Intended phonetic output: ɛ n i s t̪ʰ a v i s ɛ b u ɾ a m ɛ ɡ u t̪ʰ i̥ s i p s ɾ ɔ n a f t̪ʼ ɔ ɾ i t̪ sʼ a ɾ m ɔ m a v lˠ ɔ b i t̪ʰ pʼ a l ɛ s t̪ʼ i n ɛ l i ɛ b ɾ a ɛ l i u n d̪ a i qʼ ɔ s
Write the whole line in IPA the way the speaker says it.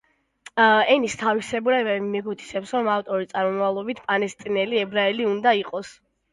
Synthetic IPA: ɛ n i s t̪ʰ a v i s ɛ b u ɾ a m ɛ ɡ u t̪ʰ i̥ s ɛ p s ɾ ɔ m a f t̪ʼ ɔ ɾ i t̪ sʼ a ɾ m ɔ m a v lˠ ɔ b i t̪ʰ pʼ a l ɛ s t̪ʼ i n ɛ l i ɛ b ɾ a ɛ l i u n d̪ a i qʼ ɔ s